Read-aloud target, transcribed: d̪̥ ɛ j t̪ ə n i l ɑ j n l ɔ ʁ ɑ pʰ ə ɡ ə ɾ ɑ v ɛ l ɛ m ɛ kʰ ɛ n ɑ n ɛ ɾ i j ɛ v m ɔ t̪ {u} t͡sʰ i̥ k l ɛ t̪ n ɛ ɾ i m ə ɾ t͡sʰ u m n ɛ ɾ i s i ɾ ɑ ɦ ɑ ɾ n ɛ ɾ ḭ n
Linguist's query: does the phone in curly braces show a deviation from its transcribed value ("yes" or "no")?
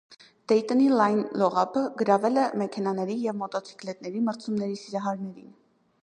yes